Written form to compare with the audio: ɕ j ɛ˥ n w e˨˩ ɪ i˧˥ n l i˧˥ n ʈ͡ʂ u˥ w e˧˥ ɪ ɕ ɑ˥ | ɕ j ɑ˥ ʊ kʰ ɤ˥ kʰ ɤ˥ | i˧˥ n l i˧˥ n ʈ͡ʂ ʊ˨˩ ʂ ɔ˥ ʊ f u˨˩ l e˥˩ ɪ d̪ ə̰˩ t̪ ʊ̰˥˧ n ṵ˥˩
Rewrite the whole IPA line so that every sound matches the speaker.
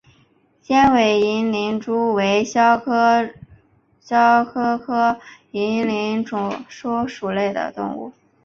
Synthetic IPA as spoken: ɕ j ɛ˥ n w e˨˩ ɪ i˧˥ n l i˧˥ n ʈ͡ʂ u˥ w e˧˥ ɪ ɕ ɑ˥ | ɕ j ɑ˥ ʊ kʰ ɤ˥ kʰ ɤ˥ | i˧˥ n l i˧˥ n ʈ͡ʂ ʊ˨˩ ʂ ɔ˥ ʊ ʂ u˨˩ l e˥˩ ɪ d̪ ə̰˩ t̪ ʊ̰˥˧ ŋ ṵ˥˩